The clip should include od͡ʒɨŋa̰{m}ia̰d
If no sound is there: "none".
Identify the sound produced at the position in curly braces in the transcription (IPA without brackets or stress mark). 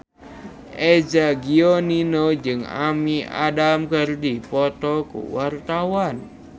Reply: m